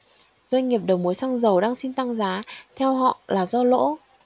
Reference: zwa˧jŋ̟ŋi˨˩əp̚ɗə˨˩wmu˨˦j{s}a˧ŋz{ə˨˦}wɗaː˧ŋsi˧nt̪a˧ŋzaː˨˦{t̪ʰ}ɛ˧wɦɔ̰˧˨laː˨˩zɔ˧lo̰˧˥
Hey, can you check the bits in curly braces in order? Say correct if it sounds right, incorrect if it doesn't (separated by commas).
correct, incorrect, correct